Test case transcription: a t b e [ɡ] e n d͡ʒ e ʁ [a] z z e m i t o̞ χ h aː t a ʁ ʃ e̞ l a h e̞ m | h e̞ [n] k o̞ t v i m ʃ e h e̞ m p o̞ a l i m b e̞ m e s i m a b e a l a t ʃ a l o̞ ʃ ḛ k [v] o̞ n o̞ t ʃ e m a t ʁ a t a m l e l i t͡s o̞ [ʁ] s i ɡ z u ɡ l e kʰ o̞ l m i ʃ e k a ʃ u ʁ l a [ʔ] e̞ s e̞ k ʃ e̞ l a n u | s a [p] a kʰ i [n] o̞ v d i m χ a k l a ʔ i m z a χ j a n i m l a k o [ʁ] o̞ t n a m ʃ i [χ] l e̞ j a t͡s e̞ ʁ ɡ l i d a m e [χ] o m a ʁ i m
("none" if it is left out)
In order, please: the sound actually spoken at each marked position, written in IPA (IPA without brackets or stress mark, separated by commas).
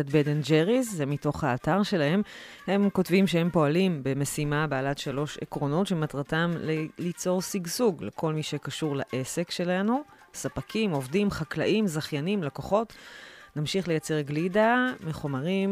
d, i, m, ʁ, ʁ, ʔ, p, m, χ, χ, χ